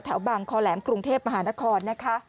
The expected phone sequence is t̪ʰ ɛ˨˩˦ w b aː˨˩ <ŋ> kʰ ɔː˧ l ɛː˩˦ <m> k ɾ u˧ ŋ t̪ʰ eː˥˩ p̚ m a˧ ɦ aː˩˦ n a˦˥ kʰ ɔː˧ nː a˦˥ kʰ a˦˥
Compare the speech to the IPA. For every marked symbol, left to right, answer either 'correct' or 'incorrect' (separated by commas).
correct, correct